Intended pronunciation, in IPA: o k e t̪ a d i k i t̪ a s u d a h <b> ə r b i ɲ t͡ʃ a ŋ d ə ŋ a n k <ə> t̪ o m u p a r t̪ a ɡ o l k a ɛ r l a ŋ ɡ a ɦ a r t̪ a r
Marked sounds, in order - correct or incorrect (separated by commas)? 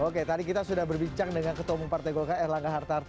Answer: correct, correct